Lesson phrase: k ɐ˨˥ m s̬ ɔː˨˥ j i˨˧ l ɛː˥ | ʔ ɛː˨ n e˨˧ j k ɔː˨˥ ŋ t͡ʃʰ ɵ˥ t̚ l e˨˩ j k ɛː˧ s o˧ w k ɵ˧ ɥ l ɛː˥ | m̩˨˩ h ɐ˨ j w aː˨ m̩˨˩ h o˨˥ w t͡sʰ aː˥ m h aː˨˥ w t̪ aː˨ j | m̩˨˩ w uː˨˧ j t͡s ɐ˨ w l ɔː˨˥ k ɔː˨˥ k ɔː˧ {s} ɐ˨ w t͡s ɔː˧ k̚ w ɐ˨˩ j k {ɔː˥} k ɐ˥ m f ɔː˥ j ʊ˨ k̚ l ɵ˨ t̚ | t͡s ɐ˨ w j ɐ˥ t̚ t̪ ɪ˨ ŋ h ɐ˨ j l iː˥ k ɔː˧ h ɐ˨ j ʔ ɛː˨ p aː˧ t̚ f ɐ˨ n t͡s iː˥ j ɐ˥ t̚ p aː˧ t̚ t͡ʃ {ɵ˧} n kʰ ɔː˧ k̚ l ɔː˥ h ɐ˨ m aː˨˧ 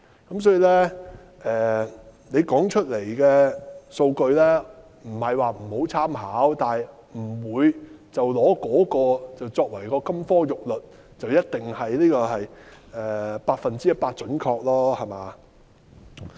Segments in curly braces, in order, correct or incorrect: incorrect: t͡s, incorrect: ɔː˧, incorrect: ɵ˨˥

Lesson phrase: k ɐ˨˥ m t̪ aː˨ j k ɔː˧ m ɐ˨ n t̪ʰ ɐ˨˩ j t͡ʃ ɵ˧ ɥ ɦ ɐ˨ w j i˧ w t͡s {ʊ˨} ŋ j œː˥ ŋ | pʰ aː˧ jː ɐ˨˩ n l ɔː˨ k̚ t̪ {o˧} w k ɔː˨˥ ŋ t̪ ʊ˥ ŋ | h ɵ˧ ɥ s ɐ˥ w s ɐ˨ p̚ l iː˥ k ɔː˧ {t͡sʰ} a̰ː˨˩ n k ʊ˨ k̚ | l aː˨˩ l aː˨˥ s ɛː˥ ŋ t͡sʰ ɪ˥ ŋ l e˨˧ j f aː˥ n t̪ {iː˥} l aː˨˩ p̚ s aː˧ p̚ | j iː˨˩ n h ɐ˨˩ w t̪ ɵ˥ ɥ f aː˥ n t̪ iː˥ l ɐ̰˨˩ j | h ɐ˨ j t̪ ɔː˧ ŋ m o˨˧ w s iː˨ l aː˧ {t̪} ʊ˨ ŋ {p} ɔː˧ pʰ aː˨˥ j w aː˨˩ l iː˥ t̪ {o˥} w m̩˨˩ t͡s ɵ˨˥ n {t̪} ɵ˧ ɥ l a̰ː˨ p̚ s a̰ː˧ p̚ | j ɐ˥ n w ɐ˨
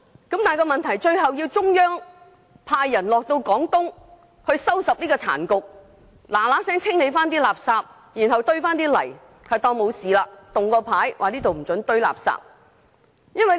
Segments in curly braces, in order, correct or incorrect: incorrect: ʊ˥, correct, correct, correct, correct, incorrect: k, incorrect: o˨, correct

